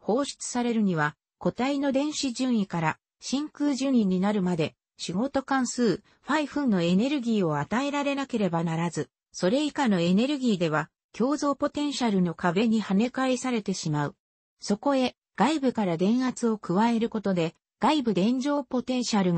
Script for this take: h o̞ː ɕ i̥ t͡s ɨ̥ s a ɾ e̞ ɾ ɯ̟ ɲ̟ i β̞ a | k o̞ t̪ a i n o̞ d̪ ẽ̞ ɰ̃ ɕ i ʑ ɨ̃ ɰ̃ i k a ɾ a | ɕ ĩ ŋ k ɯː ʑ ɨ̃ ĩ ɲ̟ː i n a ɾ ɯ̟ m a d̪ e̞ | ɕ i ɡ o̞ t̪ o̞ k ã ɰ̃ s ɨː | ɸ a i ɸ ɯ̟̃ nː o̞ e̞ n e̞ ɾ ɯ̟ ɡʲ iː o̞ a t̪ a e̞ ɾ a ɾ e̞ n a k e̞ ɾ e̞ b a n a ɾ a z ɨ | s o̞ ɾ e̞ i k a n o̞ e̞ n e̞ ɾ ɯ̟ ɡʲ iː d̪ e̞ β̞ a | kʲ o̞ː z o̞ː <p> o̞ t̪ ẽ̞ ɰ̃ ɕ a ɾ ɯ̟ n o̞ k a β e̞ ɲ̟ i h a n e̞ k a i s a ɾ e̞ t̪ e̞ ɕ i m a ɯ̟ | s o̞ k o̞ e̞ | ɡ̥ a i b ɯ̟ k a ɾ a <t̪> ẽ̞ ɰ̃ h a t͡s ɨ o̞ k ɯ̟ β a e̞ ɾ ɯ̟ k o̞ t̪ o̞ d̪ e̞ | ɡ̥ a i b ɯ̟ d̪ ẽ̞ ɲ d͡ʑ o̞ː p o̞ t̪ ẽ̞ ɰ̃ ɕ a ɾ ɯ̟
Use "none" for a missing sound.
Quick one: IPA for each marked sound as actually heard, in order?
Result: p, d̪

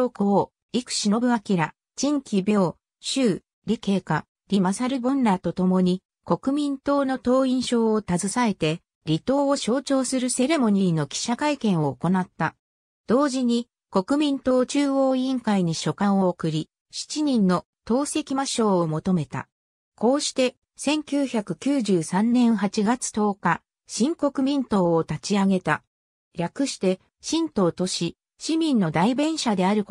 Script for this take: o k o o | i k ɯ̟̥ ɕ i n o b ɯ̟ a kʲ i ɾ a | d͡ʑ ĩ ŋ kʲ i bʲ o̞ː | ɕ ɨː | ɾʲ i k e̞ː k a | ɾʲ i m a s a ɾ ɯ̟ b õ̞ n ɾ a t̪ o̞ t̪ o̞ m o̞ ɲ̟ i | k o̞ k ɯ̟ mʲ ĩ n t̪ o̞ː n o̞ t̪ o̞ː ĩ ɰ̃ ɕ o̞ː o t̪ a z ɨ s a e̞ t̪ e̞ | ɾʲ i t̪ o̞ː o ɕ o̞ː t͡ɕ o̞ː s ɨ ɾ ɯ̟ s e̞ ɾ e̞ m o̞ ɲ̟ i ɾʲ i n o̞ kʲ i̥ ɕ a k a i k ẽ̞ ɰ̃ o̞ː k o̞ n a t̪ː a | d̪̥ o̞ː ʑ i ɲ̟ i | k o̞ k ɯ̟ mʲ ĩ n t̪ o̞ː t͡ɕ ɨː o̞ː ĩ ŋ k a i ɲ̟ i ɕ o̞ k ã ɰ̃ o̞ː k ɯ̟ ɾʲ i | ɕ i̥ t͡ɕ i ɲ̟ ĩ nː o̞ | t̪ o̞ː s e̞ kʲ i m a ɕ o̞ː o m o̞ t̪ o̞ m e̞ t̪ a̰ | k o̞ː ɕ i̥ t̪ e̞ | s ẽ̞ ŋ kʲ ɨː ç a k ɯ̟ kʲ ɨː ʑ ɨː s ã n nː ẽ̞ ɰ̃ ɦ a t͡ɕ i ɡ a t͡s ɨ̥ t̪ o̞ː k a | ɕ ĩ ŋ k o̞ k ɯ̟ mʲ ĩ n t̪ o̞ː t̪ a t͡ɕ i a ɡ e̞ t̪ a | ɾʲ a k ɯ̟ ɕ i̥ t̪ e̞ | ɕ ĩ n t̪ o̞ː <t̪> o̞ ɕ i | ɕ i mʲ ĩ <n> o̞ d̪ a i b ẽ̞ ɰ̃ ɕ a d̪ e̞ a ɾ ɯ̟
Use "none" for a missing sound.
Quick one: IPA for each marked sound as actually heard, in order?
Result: t̪, nː

